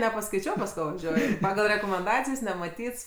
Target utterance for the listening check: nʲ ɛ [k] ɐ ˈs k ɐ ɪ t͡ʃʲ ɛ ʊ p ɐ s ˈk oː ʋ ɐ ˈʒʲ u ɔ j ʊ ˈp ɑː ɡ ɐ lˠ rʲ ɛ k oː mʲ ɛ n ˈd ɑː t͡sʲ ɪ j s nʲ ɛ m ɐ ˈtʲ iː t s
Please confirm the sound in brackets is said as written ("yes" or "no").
no